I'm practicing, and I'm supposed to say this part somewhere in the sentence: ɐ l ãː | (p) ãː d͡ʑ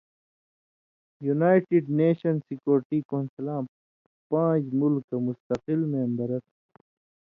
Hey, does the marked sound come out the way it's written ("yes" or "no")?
yes